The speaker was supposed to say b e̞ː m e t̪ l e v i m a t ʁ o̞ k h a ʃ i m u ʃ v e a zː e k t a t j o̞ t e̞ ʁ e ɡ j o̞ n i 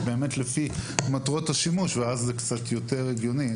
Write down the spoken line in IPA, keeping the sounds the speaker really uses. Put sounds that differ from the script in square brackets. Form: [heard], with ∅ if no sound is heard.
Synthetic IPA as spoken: b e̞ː m e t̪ l e [f] i m a t ʁ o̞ [t] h a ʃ i m u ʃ v e a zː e k [t͡s] a t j o̞ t e̞ ʁ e ɡ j o̞ n i